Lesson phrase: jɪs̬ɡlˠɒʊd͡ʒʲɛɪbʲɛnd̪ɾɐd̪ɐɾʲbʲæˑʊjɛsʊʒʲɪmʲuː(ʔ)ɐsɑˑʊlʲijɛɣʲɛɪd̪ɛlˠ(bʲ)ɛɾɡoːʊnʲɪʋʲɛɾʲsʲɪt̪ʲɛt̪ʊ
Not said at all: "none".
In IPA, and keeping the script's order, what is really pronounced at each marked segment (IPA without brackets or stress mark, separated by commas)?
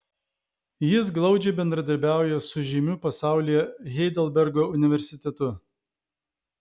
p, bʲ